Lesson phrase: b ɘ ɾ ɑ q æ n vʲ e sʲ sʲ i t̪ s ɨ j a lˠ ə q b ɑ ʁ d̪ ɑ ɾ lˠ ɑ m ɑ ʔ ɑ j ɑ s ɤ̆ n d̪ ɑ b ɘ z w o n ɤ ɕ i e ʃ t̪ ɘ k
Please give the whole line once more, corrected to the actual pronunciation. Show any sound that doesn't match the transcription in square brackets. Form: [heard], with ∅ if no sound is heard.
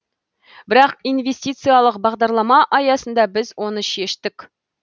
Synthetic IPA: b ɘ ɾ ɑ q [i] n vʲ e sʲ [tʲ] i t̪ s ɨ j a lˠ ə q b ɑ ʁ d̪ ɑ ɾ lˠ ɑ m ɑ ʔ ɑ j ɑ s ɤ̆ n d̪ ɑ b ɘ z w o n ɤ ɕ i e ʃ t̪ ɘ k